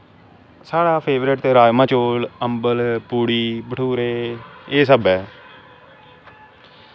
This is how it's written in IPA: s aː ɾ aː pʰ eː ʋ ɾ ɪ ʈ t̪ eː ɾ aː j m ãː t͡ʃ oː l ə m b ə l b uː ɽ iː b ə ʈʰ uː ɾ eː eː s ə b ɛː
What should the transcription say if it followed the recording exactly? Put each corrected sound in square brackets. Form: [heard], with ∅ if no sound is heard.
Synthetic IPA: s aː [ɽ] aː pʰ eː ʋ ɾ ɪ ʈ t̪ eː ɾ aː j m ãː t͡ʃ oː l ə m b ə l [p] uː ɽ iː b ə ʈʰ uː ɾ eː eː s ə b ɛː